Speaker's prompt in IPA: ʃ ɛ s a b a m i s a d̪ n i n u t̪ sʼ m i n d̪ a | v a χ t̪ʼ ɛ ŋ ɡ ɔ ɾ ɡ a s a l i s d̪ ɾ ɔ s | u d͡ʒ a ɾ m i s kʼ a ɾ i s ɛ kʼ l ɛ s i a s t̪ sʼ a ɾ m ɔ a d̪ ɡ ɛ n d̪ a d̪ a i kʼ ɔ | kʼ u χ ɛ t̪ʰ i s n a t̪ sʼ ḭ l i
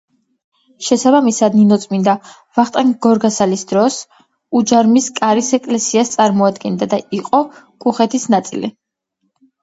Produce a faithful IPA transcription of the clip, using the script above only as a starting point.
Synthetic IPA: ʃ ɛ s a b a m i s a d̪ n i n ɔ t̪ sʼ m i n d̪ a | v a χ t̪ʼ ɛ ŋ ɡ ɔ ɾ ɡ a s a l i s d̪ ɾ ɔ s | u d͡ʒ a ɾ m i s kʼ a ɾ i s ɛ kʼ l ɛ s i a s t̪ sʼ a ɾ m ɔ a d̪ ɡ ɛ n d̪ a d̪ a i qʼ ɔ | kʼ u χ ɛ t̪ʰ i s n a t̪ sʼ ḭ l i